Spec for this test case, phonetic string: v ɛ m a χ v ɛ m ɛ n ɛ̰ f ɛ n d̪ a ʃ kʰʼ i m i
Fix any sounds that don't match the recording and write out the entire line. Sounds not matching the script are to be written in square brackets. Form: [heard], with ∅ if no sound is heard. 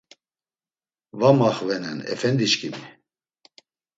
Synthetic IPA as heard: v [a] m a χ v ɛ [n] ɛ n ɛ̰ f ɛ n d̪ [i] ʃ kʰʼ i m i